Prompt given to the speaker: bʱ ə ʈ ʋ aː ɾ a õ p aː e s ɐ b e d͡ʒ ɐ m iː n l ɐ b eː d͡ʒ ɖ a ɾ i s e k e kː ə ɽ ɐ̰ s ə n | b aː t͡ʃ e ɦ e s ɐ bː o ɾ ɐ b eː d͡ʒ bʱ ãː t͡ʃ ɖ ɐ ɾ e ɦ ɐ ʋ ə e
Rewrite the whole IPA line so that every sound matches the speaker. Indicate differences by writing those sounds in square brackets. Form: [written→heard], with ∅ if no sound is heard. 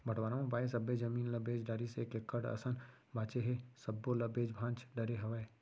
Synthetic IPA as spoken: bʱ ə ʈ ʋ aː ɾ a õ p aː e s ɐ b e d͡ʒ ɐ m iː n l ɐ b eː d͡ʒ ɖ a ɾ i s e k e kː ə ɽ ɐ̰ s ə n | b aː t͡ʃ e ɦ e s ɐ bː o [ɾ→l] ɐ b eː d͡ʒ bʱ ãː t͡ʃ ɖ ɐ ɾ e ɦ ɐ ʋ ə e

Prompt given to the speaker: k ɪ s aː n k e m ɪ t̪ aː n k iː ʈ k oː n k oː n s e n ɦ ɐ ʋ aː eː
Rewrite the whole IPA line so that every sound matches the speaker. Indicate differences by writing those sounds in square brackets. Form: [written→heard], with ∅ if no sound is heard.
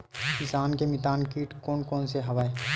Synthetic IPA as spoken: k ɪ s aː n k e m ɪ t̪ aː n k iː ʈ k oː n k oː n s e [n→∅] ɦ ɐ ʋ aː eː

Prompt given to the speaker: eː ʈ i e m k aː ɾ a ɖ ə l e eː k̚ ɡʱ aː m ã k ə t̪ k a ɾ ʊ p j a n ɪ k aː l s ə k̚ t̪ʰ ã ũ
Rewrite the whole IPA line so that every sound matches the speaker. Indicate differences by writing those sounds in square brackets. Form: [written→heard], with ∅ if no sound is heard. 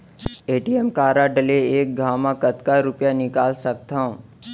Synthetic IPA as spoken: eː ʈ i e m k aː ɾ a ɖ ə l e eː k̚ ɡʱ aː m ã k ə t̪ k a ɾ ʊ p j a n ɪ k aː l s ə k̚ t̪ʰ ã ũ

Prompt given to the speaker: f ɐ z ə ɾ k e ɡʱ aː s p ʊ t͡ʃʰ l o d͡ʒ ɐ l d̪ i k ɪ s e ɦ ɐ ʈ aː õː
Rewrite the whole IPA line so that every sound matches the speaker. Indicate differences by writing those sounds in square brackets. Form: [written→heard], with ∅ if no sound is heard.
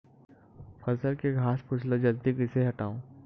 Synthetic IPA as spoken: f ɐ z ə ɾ k e ɡʱ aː s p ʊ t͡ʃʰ l o d͡ʒ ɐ l d̪ i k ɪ s e ɦ ɐ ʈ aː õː

